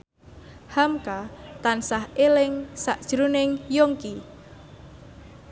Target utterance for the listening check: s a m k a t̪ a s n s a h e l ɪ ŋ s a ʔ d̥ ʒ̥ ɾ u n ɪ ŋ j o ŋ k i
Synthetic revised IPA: h a m k a t̪ a n s a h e l ɪ ŋ s a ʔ d̥ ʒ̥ ɾ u n ɪ ŋ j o ŋ k i